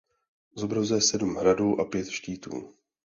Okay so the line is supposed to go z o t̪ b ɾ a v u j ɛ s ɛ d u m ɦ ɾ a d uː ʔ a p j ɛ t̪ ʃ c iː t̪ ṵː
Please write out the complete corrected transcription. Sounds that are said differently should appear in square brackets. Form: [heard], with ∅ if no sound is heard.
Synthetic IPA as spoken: z o [∅] b ɾ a [z] u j ɛ s ɛ d u m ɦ ɾ a d uː ʔ a p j ɛ t̪ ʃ c iː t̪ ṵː